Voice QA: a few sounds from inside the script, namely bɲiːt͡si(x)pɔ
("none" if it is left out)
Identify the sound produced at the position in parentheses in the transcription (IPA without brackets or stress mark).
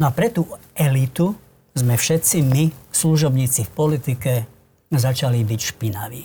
f